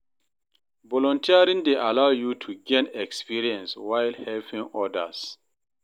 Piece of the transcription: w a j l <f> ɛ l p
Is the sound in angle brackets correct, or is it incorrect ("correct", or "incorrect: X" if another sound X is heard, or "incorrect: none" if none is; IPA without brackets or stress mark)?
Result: incorrect: h